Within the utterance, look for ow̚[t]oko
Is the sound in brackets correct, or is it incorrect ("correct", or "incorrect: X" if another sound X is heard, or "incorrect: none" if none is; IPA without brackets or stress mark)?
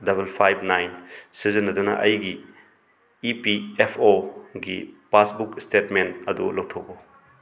incorrect: tʰ